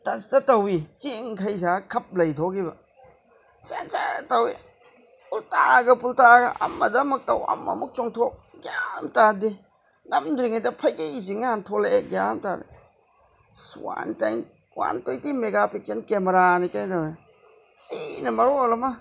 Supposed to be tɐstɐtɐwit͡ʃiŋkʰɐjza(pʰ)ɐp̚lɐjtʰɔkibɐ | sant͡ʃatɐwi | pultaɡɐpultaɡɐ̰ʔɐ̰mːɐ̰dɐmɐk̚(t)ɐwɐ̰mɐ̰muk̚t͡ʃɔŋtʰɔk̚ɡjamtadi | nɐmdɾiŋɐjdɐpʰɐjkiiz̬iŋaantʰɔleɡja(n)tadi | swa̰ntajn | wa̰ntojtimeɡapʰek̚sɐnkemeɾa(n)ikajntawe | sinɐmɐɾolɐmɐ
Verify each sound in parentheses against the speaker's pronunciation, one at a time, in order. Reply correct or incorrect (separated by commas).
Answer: incorrect, correct, incorrect, correct